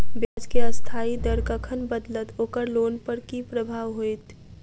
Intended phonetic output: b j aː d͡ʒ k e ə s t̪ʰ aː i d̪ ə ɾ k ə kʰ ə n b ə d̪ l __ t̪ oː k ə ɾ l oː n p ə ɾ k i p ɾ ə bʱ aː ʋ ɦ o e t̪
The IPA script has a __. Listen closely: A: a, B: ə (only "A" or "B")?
B